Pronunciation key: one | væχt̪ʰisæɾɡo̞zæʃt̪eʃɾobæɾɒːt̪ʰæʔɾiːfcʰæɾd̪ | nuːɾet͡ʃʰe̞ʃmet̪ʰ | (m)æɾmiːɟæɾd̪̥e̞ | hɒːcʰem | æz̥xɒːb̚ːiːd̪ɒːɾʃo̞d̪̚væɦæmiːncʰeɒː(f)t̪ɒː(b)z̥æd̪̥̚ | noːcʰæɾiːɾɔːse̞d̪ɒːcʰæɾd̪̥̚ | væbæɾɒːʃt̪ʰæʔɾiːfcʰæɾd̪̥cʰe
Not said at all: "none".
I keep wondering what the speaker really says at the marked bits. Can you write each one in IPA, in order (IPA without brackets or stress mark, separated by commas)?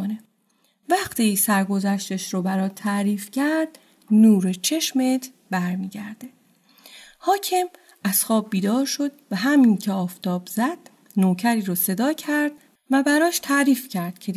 b, f, b